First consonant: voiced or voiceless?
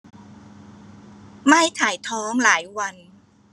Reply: voiced